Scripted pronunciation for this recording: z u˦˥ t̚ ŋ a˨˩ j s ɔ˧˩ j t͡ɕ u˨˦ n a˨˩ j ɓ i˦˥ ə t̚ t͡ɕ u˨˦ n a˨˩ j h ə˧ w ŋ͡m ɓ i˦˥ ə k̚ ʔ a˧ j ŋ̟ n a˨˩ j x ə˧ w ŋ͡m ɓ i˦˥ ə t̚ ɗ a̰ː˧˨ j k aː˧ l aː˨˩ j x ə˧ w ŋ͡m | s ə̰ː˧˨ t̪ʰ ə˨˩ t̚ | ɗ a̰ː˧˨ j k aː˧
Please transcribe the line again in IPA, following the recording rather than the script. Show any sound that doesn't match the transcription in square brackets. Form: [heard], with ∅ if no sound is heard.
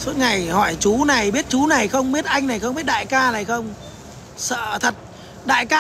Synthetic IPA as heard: [s] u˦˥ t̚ ŋ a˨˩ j [h] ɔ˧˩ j t͡ɕ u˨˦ n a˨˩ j ɓ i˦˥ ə t̚ t͡ɕ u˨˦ n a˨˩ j [x] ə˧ w ŋ͡m ɓ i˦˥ ə [t̚] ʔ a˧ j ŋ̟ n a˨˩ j x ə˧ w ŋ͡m ɓ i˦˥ ə t̚ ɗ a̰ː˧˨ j k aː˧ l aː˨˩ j x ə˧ w ŋ͡m | s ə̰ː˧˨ t̪ʰ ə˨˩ t̚ | ɗ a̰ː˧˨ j k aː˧